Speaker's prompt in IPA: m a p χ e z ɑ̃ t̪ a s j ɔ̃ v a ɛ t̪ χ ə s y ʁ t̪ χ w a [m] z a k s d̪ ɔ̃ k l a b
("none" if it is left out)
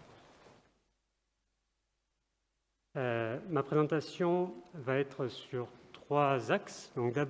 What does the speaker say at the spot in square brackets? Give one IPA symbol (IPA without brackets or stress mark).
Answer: none